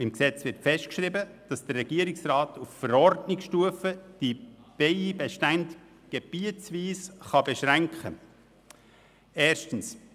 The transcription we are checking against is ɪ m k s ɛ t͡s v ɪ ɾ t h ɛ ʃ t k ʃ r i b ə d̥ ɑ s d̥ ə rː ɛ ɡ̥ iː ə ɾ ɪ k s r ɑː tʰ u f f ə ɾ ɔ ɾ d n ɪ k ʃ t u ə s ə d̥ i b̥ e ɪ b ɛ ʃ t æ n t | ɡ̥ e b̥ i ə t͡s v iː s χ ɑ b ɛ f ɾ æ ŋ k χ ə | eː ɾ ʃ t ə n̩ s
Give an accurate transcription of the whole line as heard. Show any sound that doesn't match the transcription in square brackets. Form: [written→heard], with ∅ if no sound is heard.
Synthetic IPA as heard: ɪ m k s ɛ t͡s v ɪ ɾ t [h→f] ɛ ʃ t k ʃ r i b ə d̥ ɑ s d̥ ə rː ɛ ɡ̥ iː ə ɾ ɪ k s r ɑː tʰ u f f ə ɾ ɔ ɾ d n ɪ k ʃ t u ə [s→f] ə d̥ i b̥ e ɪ b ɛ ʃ t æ n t | ɡ̥ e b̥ i ə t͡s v iː s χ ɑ b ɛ [f→ʃ] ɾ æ ŋ k χ ə | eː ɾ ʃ t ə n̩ s